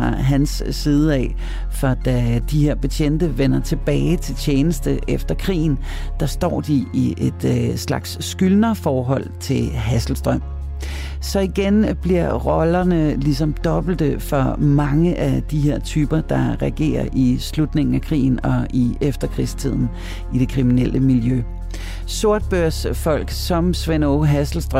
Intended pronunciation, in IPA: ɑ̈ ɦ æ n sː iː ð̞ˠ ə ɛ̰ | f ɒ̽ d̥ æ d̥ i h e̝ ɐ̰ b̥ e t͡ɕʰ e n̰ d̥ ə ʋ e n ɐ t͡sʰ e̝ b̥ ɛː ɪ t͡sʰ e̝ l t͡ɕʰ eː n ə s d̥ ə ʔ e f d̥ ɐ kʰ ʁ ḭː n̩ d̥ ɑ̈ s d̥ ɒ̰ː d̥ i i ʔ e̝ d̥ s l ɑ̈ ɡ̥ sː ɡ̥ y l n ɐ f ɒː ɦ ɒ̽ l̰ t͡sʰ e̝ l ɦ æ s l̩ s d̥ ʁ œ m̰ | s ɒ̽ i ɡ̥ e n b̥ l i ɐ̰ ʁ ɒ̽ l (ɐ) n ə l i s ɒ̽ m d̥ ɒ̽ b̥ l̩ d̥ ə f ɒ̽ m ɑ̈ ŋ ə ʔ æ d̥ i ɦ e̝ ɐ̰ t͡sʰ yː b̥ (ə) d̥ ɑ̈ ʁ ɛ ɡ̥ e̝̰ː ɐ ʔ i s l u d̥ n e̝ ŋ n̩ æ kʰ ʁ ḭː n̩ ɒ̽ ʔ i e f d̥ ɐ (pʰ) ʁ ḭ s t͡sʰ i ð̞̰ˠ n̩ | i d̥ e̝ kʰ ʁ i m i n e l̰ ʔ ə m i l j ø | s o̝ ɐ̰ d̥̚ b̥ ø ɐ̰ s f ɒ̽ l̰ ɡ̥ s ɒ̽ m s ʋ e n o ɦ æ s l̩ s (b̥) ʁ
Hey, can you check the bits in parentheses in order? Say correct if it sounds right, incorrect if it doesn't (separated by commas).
correct, incorrect, incorrect, incorrect